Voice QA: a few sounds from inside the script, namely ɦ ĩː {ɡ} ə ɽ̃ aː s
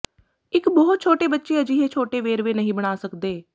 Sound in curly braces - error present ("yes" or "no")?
yes